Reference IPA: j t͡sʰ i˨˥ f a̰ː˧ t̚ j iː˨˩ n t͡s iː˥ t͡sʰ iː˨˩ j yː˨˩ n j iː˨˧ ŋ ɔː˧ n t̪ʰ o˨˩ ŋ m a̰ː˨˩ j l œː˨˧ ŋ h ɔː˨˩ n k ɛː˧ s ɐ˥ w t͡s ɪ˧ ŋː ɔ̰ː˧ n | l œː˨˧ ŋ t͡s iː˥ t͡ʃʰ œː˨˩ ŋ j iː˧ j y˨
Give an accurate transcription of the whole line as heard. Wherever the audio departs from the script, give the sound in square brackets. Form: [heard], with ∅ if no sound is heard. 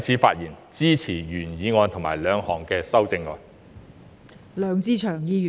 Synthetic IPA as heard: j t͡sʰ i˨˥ f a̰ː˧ t̚ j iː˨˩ n t͡s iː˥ t͡sʰ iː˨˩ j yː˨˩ n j iː˨˧ ŋ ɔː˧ n t̪ʰ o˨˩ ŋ m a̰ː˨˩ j l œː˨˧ ŋ h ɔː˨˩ [ŋ] k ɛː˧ s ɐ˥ w t͡s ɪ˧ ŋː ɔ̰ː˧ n | l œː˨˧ ŋ t͡s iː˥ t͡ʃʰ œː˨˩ ŋ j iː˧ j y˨